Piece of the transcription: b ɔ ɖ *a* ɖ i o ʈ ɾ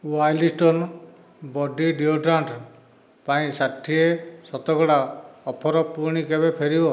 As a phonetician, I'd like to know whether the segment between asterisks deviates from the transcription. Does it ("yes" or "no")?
yes